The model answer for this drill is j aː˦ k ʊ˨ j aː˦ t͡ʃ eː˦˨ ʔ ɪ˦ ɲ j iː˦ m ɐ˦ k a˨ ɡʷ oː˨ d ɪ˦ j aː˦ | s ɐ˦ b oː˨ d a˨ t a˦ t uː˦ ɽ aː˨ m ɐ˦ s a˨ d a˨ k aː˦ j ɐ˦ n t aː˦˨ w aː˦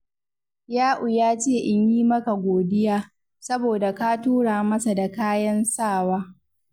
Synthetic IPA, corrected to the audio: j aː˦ ʔ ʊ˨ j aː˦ t͡ʃ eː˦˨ ʔ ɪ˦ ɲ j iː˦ m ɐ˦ k a˨ ɡʷ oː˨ d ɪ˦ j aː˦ | s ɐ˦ b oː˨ d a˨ k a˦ t uː˦ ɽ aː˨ m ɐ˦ s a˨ d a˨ k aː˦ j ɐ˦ n s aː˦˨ w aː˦